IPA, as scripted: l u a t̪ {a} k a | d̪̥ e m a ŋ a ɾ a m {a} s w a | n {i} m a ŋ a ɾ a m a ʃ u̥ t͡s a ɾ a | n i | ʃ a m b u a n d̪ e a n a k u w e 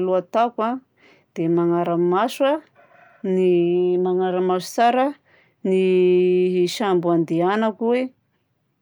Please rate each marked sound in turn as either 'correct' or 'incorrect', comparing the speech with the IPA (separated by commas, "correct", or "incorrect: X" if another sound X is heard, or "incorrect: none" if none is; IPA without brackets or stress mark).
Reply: correct, correct, correct